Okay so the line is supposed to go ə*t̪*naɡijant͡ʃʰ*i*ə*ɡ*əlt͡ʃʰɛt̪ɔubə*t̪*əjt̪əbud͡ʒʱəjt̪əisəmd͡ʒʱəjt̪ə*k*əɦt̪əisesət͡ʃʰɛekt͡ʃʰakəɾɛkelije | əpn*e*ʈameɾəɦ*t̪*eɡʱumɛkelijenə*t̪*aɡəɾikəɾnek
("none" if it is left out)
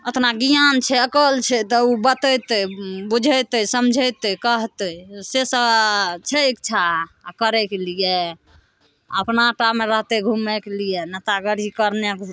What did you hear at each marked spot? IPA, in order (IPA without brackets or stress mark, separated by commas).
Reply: t̪, ɛ, k, t̪, k, a, t̪, t̪